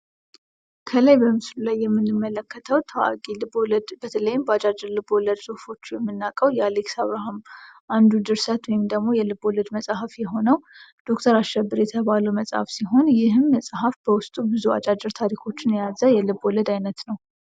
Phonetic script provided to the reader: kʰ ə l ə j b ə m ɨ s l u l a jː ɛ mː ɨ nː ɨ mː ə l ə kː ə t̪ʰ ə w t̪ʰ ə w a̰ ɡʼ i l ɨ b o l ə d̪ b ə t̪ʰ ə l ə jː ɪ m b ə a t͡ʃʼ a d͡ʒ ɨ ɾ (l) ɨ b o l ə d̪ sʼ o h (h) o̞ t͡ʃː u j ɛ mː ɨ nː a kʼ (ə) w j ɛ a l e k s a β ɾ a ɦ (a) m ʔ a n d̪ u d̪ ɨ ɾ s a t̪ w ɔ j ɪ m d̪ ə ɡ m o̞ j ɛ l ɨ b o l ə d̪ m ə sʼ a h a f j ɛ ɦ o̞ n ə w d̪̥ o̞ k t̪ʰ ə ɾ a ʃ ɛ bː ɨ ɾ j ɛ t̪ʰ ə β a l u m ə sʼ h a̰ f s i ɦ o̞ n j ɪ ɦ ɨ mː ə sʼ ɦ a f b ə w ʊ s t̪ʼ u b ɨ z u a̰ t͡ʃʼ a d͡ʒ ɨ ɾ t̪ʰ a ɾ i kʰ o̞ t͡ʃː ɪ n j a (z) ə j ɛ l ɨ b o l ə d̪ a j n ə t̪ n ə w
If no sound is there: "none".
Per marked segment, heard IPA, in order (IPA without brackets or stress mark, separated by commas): l, f, ə, a, z